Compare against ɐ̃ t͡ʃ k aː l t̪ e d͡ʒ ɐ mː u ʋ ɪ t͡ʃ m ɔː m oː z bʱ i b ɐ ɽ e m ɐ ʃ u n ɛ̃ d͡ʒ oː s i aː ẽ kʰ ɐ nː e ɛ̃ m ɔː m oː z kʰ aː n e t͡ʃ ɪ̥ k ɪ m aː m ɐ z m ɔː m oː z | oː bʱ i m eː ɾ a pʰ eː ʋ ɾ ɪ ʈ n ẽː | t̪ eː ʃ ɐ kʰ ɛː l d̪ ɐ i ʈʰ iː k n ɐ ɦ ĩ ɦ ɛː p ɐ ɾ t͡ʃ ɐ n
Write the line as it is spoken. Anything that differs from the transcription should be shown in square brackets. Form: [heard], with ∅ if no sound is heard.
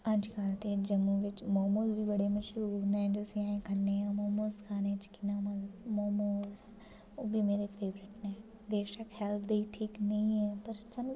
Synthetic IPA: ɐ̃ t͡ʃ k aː l t̪ e d͡ʒ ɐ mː u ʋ ɪ t͡ʃ m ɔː m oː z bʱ i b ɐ ɽ e m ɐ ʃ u n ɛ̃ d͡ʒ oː s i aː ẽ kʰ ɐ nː e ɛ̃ m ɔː m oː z kʰ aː n e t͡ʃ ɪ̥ k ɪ [n] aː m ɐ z m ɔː m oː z | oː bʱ i m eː ɾ [e] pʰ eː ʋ ɾ ɪ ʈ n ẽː | [d̪] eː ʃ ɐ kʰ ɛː l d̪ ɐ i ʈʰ iː k n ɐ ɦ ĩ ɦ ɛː p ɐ ɾ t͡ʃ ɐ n